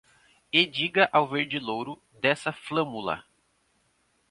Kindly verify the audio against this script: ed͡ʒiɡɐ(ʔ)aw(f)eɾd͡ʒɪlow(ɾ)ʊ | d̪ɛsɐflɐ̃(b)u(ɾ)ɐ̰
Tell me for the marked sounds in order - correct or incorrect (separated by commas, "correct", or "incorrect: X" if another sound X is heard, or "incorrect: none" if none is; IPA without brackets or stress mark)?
correct, incorrect: v, correct, incorrect: m, incorrect: l